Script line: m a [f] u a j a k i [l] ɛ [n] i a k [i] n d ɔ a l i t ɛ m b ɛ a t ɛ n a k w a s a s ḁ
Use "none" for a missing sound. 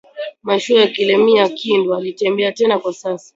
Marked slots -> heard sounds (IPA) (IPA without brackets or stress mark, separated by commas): ʃ, l, m, i